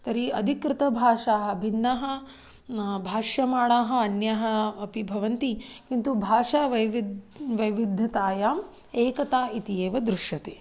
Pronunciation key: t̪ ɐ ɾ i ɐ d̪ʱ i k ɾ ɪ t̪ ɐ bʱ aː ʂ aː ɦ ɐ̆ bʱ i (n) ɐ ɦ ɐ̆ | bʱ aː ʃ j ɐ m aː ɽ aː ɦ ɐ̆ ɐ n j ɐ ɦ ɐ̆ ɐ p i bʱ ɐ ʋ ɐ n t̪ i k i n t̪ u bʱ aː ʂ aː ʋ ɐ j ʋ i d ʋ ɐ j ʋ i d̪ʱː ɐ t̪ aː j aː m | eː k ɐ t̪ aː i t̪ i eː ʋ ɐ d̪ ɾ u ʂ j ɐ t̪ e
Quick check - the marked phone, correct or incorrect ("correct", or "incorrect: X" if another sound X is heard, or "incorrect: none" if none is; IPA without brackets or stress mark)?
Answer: incorrect: nː